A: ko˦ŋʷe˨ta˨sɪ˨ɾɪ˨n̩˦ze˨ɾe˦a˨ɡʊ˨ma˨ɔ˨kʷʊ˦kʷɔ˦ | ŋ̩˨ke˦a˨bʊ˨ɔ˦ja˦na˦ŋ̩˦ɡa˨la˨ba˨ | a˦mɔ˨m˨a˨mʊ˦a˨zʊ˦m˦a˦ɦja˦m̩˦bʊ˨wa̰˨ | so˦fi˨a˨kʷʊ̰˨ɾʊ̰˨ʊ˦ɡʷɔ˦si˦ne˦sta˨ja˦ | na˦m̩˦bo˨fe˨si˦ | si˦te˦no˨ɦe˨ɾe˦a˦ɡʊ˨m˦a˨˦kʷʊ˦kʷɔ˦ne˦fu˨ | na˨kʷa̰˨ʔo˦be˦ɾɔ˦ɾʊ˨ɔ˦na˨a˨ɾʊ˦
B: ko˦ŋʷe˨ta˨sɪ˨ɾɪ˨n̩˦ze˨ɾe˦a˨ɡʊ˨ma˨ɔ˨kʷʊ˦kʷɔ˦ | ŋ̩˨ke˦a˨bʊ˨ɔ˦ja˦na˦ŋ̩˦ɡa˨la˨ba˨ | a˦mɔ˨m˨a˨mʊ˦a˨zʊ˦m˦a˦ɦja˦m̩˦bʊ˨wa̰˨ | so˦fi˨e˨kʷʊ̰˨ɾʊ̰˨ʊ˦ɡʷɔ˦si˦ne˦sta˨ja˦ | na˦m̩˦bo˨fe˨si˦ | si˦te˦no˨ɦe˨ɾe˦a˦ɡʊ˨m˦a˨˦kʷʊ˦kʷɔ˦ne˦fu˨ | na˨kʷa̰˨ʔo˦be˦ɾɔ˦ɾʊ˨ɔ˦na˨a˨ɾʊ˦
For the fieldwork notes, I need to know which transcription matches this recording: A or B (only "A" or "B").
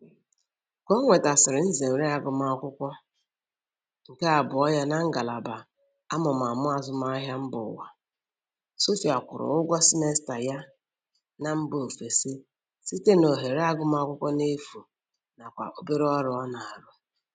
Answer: A